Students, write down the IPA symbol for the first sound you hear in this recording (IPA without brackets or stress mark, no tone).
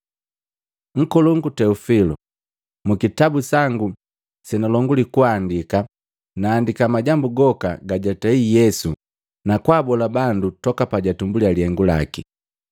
ŋ̩